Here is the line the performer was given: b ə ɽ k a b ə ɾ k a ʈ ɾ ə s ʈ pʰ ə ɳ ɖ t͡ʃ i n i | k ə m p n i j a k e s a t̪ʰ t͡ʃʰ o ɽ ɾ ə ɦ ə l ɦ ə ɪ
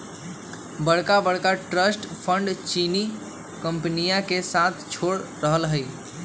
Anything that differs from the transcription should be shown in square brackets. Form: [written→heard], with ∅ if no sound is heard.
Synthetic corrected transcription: b ə ɽ k a b ə [ɾ→ɽ] k a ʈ ɾ ə s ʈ pʰ ə ɳ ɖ t͡ʃ i n i | k ə m p n i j a k e s a t̪ʰ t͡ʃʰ o ɽ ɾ ə ɦ ə l ɦ ə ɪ